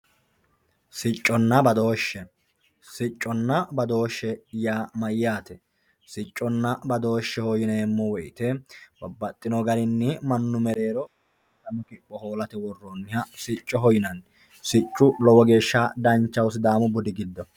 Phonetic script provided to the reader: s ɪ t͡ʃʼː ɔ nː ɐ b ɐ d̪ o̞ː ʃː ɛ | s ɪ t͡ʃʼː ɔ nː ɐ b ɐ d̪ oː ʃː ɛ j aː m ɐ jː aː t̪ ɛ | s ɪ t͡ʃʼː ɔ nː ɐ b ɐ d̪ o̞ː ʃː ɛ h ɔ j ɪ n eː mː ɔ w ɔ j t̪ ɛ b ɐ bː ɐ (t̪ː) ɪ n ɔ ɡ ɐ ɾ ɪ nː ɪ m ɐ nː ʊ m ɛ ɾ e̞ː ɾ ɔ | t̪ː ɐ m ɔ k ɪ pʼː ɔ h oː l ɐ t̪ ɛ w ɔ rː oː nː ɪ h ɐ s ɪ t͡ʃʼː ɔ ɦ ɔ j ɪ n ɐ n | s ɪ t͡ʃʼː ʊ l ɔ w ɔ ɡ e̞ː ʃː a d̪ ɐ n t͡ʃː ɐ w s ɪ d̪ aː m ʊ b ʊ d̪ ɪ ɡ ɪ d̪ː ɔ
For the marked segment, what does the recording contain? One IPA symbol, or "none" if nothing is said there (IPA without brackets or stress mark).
t̪ʼː